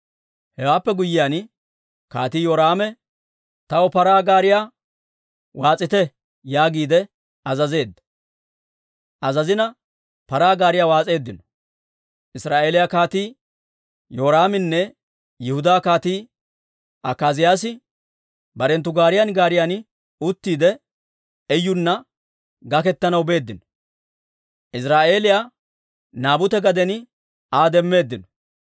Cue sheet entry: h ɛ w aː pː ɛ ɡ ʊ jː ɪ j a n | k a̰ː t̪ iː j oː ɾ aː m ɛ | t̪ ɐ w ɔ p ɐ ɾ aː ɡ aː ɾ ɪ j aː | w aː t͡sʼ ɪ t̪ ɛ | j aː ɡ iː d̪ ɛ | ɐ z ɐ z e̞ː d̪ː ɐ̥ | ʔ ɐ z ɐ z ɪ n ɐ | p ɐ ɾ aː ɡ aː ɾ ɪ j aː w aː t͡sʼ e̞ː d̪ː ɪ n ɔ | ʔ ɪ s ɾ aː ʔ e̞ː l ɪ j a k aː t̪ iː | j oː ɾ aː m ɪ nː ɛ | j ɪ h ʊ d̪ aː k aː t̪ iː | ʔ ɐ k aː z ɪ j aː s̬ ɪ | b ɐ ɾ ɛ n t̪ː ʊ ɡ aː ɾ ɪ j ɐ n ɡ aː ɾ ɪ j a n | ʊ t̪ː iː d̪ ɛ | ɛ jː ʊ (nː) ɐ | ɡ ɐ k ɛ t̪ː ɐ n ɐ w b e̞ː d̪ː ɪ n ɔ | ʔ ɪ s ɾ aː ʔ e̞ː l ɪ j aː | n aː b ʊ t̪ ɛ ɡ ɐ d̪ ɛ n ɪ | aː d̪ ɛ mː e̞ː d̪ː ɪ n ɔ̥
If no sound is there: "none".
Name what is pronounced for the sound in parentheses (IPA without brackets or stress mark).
nː